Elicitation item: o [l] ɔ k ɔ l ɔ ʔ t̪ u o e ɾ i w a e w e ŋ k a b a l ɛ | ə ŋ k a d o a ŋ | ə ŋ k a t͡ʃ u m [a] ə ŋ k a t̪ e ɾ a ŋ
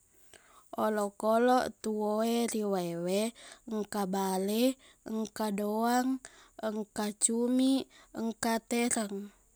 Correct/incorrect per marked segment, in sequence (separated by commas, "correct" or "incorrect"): correct, incorrect